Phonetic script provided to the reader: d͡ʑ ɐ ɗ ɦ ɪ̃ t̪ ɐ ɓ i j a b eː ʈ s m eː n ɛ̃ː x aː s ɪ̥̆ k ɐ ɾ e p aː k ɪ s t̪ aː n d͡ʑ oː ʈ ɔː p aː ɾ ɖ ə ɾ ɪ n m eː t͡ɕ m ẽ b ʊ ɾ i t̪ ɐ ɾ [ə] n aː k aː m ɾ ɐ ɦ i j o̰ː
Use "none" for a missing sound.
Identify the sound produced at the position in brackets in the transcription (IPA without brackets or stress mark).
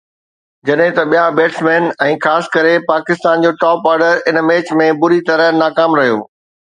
ə